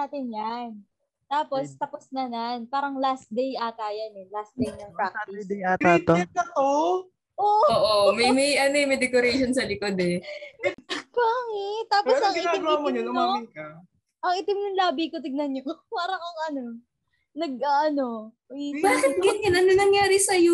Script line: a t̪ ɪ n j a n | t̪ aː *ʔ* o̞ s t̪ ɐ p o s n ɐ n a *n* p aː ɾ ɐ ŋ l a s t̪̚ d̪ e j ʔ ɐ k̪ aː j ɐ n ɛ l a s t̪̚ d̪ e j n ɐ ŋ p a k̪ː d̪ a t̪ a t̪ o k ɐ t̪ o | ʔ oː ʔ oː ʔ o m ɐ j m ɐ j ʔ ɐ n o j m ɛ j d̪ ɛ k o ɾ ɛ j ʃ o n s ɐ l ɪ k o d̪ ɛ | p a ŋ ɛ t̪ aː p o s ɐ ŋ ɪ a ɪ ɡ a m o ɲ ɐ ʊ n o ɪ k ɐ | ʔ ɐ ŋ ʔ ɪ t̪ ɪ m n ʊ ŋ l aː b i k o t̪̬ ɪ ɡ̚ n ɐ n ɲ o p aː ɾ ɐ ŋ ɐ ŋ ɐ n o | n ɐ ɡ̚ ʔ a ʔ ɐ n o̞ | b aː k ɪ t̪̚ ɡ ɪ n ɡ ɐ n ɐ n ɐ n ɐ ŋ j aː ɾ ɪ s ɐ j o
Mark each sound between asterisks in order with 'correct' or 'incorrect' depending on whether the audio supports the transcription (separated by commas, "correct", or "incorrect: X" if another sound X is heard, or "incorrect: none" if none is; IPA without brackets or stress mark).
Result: incorrect: p, correct